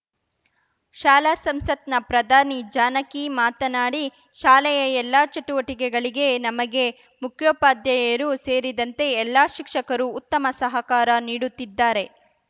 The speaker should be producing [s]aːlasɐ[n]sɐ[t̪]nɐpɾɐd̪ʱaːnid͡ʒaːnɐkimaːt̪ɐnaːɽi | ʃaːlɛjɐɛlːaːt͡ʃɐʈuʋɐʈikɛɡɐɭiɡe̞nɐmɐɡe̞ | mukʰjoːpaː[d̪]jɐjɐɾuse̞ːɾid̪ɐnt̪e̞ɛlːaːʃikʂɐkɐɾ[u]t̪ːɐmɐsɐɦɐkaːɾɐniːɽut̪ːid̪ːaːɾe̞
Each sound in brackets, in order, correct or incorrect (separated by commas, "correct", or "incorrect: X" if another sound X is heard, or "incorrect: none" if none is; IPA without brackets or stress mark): incorrect: ʃ, incorrect: m, correct, correct, incorrect: uː